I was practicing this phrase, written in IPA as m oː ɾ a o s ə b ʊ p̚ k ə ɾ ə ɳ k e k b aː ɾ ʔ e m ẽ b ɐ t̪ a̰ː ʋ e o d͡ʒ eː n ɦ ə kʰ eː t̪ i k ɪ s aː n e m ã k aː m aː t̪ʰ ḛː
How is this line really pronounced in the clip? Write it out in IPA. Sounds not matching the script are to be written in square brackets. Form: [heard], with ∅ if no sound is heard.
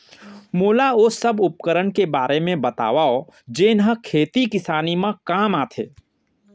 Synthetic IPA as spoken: m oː [l] a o s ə b ʊ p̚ k ə ɾ ə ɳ k e [∅] b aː ɾ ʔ e m ẽ b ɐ t̪ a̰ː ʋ [a] o d͡ʒ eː n ɦ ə kʰ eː t̪ i k ɪ s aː n [i] m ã k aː m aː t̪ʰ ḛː

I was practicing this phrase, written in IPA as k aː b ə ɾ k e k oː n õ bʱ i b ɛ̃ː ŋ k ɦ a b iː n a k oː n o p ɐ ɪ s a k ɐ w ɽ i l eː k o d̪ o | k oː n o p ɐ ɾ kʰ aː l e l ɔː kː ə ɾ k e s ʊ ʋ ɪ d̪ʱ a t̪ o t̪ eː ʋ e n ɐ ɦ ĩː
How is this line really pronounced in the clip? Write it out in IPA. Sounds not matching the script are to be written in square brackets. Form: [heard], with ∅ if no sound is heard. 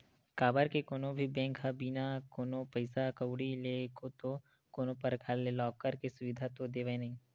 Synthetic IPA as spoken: k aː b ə ɾ k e k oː n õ bʱ i b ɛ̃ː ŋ k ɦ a b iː n a k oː n o p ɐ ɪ s a k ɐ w ɽ i l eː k o [t̪] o | k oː n o p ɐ ɾ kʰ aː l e l ɔː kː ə ɾ k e s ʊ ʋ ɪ d̪ʱ a t̪ o [d̪] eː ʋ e n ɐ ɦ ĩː

